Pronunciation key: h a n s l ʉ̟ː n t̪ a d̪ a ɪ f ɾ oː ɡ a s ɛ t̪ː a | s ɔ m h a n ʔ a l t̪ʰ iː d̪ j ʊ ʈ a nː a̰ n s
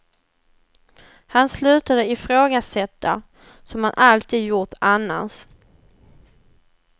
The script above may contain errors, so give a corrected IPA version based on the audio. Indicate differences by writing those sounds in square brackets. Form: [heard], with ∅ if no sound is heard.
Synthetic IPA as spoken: h a n s l ʉ̟ː [∅] t̪ a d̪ [ə] ɪ f ɾ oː ɡ a s ɛ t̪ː a | s ɔ m h a n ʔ a l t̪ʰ iː d̪ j ʊ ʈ a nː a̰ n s